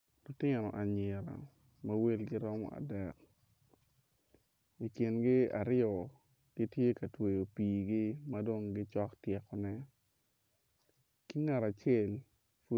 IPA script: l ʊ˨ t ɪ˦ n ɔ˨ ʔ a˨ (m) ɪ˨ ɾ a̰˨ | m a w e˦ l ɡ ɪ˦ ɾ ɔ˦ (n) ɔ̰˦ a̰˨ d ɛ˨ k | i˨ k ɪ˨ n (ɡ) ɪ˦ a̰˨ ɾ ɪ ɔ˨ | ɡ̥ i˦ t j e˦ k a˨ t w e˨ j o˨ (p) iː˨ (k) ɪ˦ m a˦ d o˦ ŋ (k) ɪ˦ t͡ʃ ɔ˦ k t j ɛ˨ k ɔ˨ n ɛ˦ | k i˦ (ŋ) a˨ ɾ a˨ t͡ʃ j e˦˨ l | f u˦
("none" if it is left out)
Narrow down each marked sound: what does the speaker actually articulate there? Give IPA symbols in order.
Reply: ɲ, m, ɡ, p, ɡ, ɡ, ŋ

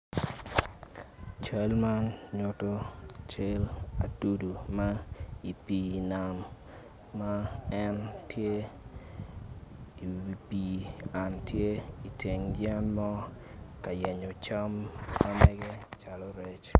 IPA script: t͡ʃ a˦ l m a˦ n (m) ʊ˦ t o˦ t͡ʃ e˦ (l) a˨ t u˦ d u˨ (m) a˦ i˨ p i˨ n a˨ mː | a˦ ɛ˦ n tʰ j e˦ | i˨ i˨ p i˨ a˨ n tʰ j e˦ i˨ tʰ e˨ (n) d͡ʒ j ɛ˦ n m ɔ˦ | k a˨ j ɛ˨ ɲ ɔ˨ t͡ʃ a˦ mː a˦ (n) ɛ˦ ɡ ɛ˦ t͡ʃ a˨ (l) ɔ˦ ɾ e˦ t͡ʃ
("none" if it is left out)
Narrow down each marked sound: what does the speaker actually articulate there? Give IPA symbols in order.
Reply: ɲ, l, m, ŋ, m, l

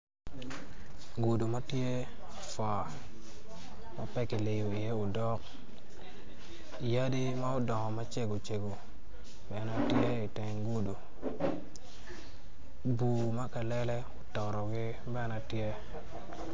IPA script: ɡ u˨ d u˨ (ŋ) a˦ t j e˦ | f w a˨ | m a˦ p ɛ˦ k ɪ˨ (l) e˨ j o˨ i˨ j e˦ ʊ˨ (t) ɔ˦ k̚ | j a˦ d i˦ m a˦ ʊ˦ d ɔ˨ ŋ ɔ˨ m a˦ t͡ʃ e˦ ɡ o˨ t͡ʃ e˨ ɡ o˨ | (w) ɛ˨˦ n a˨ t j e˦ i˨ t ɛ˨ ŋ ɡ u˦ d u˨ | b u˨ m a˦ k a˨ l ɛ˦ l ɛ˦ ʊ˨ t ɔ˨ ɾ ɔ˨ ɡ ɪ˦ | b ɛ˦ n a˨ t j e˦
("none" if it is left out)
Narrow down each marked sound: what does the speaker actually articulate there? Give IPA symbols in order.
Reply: m, l, d, b

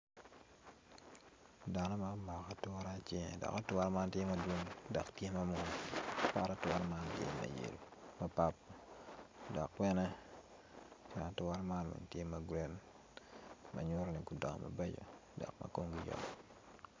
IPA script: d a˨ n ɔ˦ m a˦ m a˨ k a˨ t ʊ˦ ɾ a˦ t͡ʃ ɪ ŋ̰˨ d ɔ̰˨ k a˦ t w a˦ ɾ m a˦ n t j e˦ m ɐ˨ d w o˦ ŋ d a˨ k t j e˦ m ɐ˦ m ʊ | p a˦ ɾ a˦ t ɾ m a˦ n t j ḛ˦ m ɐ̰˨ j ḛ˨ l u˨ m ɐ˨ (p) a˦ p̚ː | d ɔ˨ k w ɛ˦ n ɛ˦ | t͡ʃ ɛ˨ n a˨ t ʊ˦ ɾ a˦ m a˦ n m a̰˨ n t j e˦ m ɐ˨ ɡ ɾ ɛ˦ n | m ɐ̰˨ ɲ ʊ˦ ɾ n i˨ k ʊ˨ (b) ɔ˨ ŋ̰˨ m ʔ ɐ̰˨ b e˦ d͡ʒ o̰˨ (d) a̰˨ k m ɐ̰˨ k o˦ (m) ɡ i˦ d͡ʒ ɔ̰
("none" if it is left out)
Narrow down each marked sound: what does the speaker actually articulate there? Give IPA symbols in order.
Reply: p, d, d, ŋ

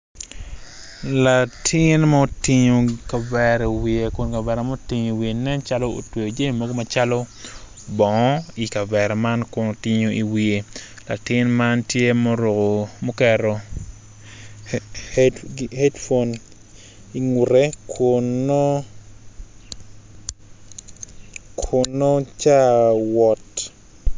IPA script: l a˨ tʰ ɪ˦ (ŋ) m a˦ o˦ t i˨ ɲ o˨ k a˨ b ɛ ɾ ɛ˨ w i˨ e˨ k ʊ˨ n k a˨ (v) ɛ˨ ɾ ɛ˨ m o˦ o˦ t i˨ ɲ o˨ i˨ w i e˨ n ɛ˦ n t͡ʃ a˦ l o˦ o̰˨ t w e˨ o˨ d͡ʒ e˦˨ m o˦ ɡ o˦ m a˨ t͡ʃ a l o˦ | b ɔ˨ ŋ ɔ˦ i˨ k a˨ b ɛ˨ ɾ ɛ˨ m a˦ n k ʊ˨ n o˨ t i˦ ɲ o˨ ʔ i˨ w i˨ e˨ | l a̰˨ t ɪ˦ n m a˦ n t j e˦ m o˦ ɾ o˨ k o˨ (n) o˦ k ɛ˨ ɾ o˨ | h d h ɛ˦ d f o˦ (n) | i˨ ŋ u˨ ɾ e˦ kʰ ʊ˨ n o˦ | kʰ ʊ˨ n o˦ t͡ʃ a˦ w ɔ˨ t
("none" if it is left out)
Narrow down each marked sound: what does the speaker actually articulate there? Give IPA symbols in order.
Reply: n, b, m, n

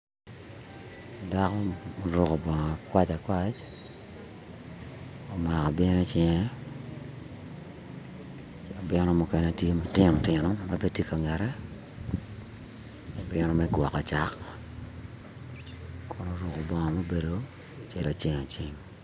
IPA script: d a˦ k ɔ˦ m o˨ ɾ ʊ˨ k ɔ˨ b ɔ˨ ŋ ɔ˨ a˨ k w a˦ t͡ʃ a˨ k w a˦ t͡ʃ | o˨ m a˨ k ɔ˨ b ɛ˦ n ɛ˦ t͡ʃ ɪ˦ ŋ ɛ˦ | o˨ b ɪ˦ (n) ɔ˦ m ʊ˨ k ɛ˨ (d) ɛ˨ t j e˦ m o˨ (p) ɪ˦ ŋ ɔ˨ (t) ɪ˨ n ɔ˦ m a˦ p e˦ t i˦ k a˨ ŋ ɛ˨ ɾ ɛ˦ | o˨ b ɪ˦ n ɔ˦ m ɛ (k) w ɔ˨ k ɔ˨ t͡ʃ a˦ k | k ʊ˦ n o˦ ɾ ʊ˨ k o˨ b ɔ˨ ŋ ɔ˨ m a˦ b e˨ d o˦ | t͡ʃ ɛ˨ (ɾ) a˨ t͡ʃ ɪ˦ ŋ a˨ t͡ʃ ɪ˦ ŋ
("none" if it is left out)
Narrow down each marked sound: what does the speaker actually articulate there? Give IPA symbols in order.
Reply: n, n, t, t, ɡ, l

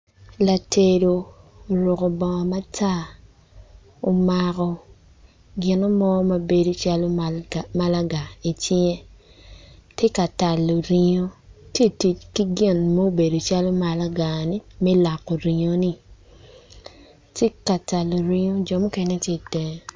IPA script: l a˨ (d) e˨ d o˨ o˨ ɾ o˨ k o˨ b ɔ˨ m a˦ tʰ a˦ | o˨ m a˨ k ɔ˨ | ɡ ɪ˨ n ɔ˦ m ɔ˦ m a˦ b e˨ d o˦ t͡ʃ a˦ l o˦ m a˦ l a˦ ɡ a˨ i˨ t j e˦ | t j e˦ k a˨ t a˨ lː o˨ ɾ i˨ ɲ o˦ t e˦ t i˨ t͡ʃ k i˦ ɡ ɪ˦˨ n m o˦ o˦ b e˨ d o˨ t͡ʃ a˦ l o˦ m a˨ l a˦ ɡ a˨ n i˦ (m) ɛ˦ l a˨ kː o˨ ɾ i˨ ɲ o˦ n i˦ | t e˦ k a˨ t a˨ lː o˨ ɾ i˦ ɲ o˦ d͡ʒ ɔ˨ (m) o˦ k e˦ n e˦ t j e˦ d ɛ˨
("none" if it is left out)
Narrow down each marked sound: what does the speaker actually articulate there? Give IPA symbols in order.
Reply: t, m, m

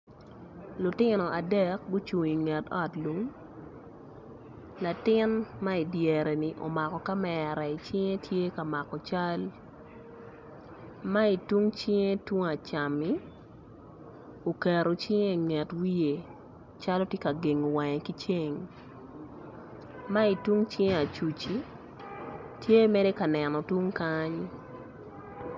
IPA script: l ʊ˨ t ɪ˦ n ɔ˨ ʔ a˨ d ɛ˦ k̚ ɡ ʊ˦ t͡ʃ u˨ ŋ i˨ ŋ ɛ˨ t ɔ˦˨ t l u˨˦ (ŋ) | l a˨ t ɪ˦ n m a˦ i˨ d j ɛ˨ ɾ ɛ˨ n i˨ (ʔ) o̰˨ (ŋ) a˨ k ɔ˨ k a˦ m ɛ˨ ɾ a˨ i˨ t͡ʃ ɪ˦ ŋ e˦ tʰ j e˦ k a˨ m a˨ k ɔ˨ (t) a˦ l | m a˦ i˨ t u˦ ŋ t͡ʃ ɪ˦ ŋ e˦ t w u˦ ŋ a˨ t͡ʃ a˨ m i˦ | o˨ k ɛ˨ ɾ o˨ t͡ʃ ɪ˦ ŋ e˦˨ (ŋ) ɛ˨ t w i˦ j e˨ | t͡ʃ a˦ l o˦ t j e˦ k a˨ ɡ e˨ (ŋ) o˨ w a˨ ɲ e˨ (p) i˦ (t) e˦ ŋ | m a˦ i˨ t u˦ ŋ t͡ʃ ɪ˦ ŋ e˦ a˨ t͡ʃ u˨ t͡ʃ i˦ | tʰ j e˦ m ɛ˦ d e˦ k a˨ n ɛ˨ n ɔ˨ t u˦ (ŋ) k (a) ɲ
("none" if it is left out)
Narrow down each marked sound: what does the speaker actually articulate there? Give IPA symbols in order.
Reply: ŋ, ʔ, m, t͡ʃ, ŋ, ŋ, k, t͡ʃ, ŋ, a

